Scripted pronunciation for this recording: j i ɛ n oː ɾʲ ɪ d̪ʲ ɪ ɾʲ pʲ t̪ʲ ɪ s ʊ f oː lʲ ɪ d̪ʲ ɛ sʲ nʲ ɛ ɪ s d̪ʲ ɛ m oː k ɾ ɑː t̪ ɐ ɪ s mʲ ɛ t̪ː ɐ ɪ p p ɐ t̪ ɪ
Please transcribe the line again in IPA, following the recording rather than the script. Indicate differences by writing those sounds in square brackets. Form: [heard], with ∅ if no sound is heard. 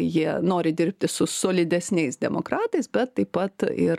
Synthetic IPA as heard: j i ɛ n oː ɾʲ ɪ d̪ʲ ɪ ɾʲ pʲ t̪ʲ ɪ s ʊ [s] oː lʲ ɪ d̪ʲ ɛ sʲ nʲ ɛ ɪ s d̪ʲ ɛ m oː k ɾ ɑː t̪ ɐ ɪ s [bʲ] ɛ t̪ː ɐ ɪ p p ɐ t̪ ɪ